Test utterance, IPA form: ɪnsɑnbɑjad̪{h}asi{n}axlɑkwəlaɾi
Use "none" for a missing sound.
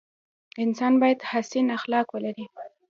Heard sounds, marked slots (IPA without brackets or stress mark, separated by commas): h, n